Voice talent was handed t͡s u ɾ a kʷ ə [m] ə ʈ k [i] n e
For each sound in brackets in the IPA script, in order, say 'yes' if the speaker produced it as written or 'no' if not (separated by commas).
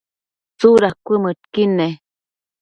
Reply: yes, yes